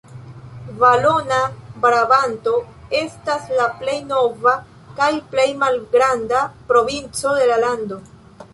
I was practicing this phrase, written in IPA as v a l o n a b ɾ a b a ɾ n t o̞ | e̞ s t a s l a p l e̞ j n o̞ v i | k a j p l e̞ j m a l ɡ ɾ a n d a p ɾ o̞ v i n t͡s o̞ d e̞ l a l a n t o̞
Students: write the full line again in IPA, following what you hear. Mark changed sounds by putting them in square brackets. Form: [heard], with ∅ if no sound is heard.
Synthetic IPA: v a l o n a b ɾ a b a [∅] n t o̞ | e̞ s t a s l a p l e̞ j n o̞ v [a] | k a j p l e̞ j m a l ɡ ɾ a n d a p ɾ o̞ v i n t͡s o̞ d e̞ l a l a n [d] o̞